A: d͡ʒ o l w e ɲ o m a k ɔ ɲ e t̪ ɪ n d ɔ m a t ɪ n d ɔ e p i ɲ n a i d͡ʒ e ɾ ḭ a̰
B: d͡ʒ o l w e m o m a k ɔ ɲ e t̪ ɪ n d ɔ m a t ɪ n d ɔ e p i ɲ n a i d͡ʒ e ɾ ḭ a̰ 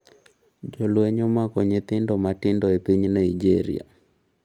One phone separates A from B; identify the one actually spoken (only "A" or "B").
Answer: A